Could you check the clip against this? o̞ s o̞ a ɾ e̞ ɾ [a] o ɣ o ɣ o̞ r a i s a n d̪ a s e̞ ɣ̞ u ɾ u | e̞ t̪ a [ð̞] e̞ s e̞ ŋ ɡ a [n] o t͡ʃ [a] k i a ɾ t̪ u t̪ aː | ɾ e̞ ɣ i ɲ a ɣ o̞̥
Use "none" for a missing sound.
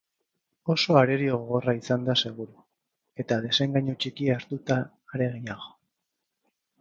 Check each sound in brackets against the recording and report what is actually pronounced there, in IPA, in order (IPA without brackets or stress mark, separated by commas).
i, ð̞, ɲ, i